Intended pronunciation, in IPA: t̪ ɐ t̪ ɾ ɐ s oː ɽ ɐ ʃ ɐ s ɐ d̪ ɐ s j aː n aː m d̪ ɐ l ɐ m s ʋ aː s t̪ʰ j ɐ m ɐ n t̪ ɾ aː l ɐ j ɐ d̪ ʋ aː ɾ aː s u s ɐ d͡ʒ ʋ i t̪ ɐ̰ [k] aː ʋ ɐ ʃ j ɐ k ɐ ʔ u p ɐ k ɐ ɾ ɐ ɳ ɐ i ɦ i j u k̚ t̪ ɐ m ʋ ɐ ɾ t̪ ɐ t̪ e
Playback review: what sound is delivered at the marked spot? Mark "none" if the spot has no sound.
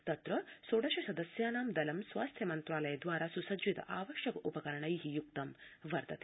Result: ʔ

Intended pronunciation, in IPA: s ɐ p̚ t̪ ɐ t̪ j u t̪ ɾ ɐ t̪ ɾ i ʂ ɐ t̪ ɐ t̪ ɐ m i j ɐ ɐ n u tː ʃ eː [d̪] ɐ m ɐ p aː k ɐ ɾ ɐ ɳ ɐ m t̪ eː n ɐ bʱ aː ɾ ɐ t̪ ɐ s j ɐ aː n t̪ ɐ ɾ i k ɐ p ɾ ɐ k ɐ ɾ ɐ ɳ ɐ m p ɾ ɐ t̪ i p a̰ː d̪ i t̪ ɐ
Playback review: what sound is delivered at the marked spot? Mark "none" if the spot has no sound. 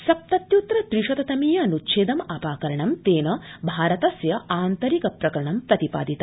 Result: d̪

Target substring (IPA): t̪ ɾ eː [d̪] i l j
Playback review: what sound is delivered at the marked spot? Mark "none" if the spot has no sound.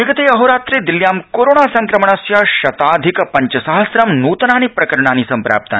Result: d̪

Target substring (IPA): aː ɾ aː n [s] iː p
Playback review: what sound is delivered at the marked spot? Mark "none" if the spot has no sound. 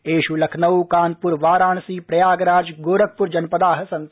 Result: s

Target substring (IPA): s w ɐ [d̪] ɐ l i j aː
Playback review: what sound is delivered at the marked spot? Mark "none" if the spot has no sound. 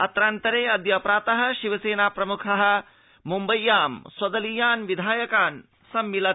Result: d̪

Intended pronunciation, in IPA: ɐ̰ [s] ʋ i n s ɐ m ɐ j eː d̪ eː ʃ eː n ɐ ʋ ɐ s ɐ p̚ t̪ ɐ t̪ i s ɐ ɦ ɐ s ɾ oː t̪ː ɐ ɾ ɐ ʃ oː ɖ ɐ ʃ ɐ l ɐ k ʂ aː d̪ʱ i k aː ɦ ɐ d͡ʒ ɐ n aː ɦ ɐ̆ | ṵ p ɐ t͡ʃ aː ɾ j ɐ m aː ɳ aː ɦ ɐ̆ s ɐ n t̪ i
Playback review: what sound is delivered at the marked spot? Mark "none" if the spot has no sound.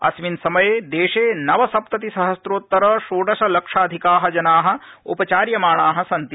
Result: s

